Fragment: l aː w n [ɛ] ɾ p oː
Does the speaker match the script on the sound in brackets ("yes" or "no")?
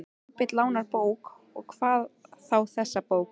no